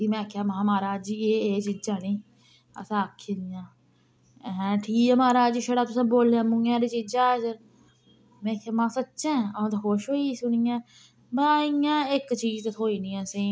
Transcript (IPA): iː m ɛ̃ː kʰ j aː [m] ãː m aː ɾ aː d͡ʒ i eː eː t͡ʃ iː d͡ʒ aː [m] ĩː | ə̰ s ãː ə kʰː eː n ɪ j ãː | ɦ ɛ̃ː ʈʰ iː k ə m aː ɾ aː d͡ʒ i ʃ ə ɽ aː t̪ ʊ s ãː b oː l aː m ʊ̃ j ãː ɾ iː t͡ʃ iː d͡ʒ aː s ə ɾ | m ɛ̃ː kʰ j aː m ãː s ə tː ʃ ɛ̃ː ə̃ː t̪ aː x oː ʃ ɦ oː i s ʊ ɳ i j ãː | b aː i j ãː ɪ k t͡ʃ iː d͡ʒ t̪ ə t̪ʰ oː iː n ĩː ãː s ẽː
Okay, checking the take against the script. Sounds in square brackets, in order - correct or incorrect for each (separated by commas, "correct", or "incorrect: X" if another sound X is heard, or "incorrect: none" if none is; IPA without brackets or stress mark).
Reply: correct, incorrect: n